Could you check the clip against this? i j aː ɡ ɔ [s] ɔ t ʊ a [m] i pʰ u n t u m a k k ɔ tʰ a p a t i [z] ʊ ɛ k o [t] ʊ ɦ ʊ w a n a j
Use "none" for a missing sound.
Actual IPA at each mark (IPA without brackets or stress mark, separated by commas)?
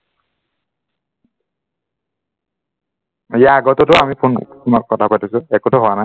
t, m, s, t